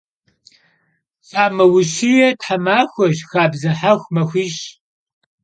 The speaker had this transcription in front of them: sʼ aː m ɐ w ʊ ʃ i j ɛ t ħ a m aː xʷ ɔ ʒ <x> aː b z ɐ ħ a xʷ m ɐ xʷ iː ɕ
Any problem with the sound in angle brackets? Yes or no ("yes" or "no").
no